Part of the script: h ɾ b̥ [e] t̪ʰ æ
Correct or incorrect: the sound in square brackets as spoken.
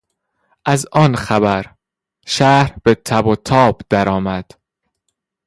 correct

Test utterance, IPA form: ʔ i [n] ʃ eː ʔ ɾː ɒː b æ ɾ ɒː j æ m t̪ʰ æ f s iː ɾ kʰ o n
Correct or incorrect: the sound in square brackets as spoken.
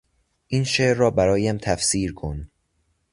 correct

